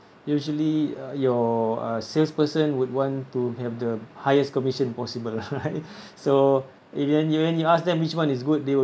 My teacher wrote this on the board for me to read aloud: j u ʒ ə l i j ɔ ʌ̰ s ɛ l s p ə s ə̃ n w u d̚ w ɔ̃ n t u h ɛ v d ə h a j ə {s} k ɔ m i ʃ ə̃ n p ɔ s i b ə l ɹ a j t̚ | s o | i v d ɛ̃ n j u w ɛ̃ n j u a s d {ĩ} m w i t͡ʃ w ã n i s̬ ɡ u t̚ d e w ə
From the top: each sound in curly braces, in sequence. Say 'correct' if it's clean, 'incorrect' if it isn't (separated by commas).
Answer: correct, incorrect